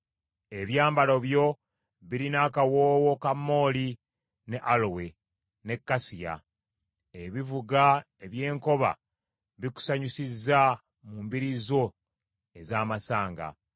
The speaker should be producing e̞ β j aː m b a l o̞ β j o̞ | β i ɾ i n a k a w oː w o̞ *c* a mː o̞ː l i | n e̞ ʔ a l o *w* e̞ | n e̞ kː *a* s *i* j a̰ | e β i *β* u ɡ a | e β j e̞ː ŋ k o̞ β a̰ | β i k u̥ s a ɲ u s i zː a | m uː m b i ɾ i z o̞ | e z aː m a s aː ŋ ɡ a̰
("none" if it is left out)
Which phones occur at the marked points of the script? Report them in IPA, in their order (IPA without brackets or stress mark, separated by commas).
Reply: k, w, a, i, v